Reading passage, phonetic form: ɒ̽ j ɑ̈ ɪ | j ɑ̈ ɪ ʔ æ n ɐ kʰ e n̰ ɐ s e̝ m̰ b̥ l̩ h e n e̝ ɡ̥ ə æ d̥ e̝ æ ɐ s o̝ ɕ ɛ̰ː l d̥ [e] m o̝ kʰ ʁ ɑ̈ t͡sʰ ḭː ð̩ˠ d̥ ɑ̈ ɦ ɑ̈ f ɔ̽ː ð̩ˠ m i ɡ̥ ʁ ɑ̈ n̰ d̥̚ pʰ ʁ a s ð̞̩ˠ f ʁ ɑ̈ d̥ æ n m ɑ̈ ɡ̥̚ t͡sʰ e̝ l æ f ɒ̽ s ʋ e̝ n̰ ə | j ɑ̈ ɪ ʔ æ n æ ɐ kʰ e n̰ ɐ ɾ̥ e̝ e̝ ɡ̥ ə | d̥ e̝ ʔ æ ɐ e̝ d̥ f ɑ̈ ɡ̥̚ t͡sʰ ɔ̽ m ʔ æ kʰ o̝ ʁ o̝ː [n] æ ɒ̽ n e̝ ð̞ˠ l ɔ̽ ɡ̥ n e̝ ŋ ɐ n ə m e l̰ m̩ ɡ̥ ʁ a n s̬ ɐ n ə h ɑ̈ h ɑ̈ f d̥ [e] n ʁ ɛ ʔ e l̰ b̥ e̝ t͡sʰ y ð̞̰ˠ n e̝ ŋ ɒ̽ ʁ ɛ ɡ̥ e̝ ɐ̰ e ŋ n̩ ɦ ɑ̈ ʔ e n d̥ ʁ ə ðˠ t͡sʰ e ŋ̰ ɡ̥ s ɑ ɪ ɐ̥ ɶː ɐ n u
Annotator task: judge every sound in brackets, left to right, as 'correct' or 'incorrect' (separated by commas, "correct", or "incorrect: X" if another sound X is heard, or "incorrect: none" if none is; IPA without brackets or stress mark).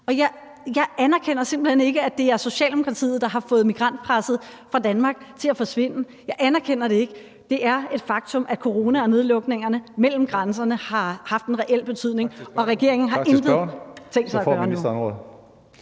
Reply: correct, correct, correct